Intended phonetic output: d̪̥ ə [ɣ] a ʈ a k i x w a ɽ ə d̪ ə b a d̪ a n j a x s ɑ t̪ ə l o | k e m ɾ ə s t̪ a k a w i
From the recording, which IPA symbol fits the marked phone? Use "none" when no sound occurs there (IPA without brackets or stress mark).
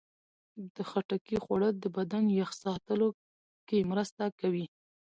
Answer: x